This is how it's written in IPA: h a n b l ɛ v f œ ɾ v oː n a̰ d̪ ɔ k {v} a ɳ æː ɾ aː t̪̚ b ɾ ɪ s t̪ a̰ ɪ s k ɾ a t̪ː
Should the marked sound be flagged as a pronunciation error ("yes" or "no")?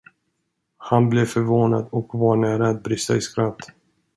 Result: no